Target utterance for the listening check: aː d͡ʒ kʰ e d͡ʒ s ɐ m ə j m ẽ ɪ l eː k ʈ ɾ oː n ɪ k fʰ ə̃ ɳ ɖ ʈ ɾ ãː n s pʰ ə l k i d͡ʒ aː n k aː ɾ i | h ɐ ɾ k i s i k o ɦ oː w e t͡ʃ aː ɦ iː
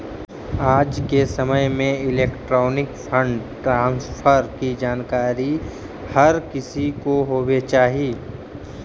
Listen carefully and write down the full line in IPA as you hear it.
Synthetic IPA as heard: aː d͡ʒ k e s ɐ m ə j m ẽ ɪ l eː k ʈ ɾ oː n ɪ k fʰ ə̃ ɳ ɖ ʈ ɾ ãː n s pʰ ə ɾ k i d͡ʒ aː n k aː ɾ i | h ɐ ɾ k ɪ s i k o ɦ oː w e t͡ʃ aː ɦ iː